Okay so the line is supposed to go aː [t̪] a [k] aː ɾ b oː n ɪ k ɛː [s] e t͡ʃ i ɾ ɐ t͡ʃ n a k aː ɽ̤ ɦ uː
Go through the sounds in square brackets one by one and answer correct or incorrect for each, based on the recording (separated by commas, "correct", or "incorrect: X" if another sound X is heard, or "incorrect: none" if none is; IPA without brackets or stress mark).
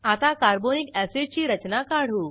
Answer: correct, correct, correct